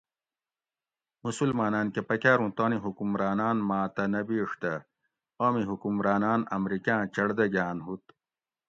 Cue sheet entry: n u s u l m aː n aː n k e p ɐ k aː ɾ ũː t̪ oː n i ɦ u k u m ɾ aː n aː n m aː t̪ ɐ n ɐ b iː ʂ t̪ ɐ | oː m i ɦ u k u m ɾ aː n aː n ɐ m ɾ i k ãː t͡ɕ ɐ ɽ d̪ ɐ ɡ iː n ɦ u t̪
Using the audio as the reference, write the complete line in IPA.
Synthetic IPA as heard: m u s u l m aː n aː n k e p ɐ k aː ɾ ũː t̪ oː n i ɦ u k u m ɾ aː n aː n m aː t̪ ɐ n ɐ b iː ʂ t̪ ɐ | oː m i ɦ u k u m ɾ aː n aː n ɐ m ɾ i k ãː t͡ɕ ɐ ɽ d̪ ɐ ɡ aː n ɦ u t̪